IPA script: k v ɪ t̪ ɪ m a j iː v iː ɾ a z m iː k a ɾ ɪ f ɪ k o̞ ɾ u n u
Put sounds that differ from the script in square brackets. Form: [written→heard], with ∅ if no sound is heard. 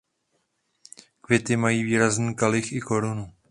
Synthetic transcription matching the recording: k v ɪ t̪ ɪ m a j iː v iː ɾ a z [m→n] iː k a [ɾ→l] ɪ [f→x] ɪ k o̞ ɾ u n u